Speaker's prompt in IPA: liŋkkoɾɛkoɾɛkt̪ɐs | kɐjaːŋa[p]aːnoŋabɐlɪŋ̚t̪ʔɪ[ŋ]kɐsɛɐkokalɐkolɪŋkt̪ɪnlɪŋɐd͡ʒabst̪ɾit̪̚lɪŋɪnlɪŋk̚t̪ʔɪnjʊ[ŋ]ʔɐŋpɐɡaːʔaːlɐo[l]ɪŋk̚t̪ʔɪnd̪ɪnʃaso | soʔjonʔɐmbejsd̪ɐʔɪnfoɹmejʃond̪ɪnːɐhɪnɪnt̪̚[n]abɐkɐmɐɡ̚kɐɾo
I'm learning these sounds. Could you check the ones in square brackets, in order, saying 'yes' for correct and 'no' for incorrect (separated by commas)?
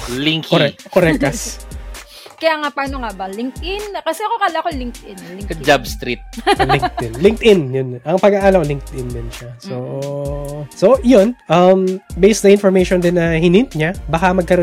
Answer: yes, no, no, yes, no